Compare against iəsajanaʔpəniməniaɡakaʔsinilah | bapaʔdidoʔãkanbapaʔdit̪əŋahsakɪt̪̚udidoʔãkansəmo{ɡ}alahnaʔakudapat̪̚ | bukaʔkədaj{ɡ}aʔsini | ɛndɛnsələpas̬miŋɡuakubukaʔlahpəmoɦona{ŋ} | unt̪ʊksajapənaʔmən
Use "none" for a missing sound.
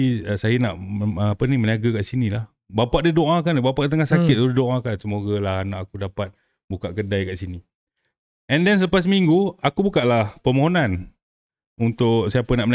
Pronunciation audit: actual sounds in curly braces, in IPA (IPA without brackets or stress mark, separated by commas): ɡ, k, n